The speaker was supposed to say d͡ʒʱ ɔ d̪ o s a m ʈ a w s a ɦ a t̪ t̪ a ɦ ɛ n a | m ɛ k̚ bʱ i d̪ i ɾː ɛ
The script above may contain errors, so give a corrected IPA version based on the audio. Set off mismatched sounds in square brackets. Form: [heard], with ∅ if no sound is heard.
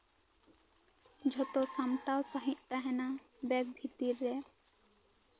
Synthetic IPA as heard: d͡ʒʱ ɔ [t̪] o s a m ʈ a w s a ɦ [i] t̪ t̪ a ɦ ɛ n a | [b] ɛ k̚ bʱ i [t̪] i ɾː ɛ